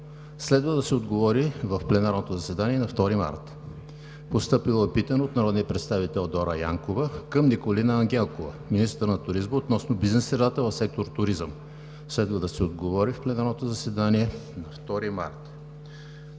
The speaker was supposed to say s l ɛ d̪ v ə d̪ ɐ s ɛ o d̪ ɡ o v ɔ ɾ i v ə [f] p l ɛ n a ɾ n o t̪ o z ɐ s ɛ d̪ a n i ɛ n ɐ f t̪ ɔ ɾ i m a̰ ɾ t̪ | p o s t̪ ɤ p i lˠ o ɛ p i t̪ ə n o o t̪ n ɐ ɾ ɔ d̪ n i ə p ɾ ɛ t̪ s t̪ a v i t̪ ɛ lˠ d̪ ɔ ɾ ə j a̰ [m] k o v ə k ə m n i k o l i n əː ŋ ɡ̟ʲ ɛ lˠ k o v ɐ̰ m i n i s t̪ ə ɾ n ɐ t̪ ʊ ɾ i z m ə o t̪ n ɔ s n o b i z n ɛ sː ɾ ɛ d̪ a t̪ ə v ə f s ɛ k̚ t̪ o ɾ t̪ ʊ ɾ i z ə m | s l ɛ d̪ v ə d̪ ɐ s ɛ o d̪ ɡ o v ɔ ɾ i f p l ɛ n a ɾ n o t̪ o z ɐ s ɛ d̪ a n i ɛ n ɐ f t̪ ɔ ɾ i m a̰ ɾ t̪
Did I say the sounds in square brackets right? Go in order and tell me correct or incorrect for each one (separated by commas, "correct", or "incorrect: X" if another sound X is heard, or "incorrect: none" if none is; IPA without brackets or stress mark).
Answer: correct, incorrect: ŋ